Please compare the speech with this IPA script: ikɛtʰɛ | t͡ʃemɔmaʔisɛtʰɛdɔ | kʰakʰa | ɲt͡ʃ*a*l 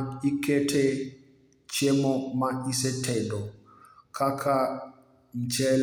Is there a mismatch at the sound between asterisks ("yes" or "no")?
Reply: yes